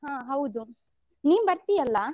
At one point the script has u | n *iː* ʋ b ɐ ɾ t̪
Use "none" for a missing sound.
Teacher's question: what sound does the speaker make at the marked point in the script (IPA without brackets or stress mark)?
iː